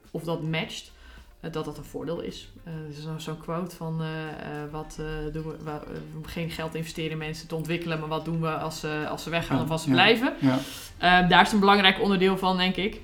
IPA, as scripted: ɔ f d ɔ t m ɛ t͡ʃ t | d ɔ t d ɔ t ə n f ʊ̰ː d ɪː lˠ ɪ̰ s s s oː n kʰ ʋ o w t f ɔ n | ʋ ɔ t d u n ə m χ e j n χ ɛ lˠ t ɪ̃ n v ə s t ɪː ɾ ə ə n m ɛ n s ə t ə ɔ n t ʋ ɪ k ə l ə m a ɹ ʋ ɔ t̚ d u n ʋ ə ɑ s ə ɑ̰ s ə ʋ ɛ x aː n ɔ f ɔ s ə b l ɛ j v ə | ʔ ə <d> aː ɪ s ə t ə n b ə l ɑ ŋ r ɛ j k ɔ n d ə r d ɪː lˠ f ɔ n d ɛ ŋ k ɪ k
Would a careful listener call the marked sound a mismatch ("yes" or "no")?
no